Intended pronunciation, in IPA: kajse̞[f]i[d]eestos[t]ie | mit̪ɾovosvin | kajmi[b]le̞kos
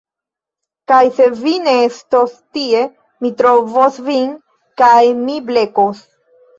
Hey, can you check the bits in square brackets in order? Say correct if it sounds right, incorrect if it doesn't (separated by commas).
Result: incorrect, incorrect, correct, correct